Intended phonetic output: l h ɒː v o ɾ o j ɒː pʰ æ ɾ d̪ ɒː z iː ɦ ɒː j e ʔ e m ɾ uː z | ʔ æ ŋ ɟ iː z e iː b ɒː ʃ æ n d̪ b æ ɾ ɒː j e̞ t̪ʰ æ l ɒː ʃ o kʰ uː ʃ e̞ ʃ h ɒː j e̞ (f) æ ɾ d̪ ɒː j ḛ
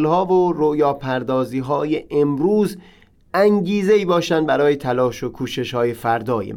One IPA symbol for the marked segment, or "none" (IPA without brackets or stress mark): f